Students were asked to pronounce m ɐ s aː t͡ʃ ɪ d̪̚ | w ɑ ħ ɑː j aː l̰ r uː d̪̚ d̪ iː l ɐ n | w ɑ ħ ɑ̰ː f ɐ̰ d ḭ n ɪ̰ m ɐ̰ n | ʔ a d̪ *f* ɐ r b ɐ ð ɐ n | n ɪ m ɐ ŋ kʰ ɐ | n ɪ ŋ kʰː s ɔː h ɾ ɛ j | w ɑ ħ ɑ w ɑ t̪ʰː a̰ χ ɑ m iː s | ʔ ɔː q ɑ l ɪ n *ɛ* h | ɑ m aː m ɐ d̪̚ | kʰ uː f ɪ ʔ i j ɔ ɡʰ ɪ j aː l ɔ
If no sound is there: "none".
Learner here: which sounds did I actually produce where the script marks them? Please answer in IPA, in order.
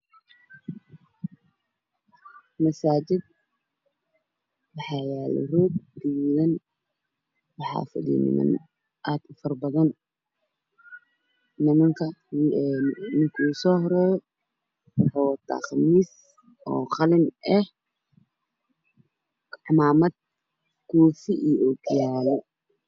f, ɛ

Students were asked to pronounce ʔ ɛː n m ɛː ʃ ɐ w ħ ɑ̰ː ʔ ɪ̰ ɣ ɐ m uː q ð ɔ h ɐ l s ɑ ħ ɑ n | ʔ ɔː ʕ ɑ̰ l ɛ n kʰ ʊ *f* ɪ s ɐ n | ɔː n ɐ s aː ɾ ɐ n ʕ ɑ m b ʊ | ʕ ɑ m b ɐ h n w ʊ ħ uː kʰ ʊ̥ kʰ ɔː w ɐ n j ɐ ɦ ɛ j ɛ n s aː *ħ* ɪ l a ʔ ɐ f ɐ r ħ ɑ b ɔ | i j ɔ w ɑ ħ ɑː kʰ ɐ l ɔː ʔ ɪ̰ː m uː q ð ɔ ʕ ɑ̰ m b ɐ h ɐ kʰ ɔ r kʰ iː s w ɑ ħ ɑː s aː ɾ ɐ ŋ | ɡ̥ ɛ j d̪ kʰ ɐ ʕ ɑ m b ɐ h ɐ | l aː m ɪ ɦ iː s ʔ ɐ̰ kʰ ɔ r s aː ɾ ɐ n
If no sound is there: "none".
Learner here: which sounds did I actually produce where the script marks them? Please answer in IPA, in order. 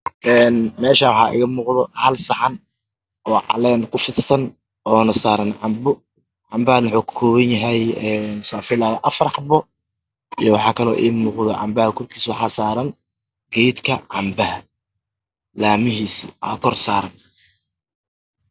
f, f

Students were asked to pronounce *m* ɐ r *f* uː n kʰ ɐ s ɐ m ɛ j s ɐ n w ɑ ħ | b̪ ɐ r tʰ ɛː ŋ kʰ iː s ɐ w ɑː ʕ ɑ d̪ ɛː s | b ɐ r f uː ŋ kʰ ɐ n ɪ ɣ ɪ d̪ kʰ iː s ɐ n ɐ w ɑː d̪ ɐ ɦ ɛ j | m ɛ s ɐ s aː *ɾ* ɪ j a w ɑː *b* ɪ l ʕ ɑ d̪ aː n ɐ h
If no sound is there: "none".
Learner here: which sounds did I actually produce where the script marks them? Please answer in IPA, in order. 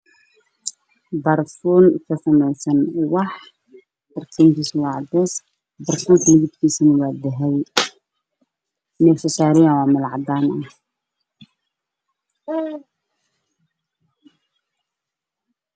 b, f, ɾ, m

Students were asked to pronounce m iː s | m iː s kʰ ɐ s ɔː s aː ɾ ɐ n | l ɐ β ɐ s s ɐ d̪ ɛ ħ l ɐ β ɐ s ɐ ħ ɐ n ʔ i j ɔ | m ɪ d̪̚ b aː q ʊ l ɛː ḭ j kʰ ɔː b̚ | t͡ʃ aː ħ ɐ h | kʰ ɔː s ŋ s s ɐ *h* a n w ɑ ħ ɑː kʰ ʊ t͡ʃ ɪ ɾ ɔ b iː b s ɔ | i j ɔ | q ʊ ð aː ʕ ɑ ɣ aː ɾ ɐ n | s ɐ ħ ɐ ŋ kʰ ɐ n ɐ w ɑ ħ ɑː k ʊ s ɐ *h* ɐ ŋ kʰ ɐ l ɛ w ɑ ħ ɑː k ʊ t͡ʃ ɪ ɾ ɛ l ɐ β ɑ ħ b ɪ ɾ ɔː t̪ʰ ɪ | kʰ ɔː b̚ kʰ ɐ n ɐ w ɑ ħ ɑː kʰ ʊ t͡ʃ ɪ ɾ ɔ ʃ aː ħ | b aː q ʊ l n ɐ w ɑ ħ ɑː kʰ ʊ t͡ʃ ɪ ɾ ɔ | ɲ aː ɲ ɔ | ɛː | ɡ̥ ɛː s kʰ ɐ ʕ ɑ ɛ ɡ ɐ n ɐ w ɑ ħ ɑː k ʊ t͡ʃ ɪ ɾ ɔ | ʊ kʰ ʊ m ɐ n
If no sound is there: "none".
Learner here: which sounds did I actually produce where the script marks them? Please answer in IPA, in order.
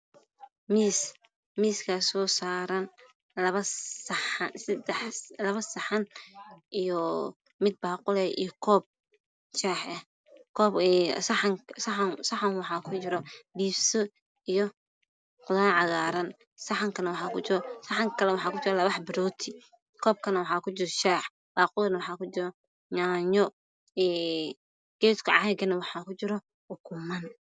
ħ, ħ

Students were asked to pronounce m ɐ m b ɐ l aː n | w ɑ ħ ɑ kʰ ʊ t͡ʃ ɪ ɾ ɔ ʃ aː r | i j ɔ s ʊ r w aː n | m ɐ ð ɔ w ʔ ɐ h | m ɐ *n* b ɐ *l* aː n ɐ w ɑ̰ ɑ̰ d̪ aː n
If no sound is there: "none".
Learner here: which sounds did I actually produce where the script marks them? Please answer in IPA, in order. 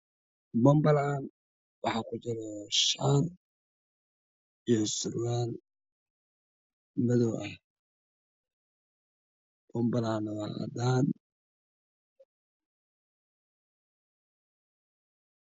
m, l

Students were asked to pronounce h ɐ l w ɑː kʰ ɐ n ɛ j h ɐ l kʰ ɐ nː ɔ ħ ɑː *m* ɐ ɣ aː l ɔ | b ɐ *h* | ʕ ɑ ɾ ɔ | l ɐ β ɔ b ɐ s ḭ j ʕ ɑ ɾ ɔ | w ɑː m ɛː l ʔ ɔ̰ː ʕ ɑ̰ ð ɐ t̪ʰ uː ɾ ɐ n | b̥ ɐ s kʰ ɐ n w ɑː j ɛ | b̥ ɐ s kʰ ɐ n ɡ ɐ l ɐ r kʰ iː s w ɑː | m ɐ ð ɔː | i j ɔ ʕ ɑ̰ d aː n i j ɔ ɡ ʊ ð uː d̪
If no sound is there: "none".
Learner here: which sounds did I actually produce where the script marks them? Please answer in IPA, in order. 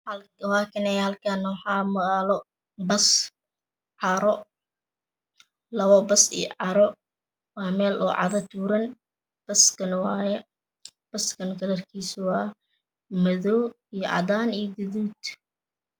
m, s

